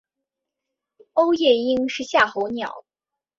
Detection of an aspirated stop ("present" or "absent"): absent